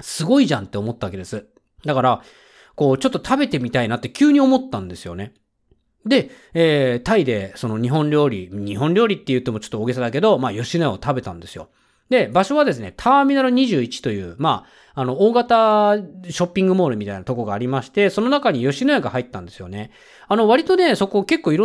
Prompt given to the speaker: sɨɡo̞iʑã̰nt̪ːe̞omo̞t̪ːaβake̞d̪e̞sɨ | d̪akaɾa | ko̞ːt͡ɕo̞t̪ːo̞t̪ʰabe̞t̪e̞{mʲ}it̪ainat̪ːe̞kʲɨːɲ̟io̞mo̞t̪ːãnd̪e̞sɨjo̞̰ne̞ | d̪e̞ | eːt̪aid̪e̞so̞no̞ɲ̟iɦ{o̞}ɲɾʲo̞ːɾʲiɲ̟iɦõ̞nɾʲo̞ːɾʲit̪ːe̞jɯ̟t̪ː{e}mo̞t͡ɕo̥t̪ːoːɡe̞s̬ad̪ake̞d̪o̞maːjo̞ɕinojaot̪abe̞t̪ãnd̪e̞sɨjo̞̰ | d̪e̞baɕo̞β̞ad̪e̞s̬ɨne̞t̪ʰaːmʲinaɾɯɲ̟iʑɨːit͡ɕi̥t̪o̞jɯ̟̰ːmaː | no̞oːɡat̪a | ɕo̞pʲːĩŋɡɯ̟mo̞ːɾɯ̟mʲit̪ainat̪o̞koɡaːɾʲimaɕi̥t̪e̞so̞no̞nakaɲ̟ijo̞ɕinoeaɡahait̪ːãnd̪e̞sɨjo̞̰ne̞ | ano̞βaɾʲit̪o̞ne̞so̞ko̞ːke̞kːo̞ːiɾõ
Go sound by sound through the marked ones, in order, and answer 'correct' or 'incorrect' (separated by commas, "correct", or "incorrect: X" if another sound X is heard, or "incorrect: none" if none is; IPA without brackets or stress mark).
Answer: correct, incorrect: õ̞, correct